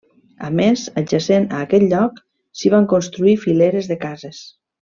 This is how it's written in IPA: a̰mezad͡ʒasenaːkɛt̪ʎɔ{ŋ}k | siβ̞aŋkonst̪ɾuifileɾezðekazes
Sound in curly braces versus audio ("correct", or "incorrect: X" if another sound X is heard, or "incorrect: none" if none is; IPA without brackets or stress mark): incorrect: none